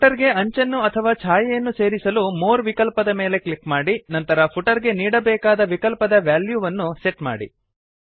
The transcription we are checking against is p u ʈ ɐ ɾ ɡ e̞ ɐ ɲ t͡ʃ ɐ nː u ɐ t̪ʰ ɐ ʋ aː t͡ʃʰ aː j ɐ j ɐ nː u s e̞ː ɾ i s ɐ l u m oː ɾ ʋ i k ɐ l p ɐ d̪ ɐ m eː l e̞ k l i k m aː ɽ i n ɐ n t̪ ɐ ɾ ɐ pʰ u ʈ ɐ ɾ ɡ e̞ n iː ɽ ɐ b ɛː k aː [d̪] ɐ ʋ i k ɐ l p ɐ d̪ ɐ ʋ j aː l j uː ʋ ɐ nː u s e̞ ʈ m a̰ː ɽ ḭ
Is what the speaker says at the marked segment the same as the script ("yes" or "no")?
yes